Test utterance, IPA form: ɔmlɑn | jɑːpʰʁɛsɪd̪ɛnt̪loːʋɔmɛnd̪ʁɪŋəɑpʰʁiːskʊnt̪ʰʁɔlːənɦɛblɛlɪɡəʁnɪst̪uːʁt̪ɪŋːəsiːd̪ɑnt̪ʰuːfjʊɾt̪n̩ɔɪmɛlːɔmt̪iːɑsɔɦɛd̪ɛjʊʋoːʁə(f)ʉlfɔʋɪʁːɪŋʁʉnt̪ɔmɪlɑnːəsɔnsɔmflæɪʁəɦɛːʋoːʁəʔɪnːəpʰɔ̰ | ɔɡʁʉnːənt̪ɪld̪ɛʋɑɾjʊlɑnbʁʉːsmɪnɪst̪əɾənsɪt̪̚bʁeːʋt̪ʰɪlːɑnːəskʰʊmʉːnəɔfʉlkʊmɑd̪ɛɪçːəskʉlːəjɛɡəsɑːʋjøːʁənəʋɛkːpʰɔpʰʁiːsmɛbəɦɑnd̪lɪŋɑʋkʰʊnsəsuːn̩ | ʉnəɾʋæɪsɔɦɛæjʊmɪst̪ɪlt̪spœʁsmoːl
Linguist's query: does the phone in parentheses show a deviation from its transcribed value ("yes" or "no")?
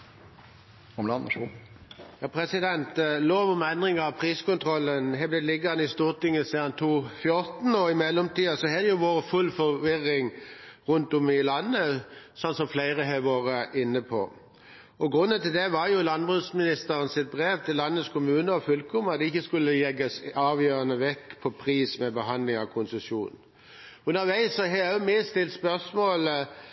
no